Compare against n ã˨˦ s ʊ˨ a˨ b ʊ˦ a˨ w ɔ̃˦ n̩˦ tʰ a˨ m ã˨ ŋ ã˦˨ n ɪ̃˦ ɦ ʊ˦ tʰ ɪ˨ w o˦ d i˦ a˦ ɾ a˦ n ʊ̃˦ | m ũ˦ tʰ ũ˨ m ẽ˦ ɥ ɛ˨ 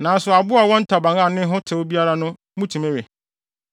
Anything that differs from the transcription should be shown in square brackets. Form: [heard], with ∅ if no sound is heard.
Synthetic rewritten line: n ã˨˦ s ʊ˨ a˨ b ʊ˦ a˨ w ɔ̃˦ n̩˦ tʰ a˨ [b] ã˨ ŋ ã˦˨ n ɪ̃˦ ɦ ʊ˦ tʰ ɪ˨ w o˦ [b] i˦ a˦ ɾ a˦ n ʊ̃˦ | m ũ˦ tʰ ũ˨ m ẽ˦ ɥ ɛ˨